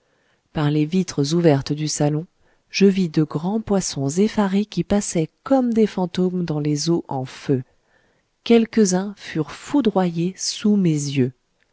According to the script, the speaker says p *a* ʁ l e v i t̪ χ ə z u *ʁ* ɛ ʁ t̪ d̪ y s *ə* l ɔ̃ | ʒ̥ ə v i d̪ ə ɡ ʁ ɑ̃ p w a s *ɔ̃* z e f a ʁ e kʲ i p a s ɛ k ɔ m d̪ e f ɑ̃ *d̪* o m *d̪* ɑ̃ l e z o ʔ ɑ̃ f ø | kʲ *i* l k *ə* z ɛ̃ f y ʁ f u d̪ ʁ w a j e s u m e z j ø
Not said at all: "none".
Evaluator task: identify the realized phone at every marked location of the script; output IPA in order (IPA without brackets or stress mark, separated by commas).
a, v, a, ɔ̃, t̪, d̪, ɛ, ə